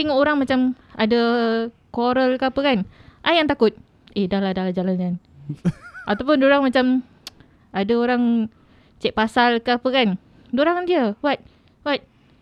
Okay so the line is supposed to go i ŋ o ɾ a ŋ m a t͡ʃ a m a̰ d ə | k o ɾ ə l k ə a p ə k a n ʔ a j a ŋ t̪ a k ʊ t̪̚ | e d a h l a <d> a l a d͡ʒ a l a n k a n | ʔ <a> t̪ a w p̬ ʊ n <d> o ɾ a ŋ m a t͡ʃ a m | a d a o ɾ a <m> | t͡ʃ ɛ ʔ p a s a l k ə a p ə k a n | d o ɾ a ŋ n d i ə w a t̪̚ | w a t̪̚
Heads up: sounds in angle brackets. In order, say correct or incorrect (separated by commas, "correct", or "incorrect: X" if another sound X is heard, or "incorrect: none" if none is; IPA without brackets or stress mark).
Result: correct, correct, correct, incorrect: ŋ